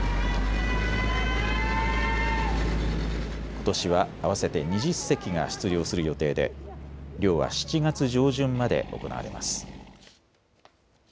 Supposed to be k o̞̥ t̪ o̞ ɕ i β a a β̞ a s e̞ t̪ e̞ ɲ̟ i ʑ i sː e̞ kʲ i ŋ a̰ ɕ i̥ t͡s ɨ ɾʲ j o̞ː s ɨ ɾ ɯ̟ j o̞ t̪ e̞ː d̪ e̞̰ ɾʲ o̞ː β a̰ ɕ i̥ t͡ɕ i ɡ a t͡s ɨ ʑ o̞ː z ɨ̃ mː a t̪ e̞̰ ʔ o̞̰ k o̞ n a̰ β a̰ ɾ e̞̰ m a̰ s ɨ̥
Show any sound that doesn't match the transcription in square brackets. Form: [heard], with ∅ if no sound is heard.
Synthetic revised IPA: k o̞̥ t̪ o̞ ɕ i β a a β̞ a s e̞ t̪ e̞ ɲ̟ i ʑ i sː e̞ kʲ i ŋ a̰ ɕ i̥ t͡s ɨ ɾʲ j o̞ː s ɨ ɾ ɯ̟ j o̞ t̪ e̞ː d̪ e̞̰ ɾʲ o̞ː β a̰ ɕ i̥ t͡ɕ i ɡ a t͡s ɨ ʑ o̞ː [ʑ] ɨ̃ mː a [d̪] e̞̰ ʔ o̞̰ k o̞ n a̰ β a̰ ɾ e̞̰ m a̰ s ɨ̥